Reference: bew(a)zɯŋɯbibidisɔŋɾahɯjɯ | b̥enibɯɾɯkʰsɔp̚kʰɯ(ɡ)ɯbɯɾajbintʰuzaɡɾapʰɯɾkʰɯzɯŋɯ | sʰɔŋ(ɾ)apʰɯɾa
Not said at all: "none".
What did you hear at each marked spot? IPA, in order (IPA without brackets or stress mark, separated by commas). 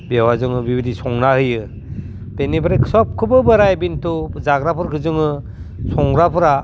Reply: a, b, ɾ